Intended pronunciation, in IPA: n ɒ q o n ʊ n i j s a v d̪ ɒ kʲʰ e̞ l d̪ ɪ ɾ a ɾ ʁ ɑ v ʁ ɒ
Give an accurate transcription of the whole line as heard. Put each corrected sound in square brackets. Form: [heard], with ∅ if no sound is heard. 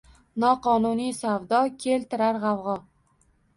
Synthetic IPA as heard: n ɒ q [ɒ] n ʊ n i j s a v d̪ ɒ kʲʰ e̞ l [t̪] ɪ ɾ a ɾ ʁ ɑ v ʁ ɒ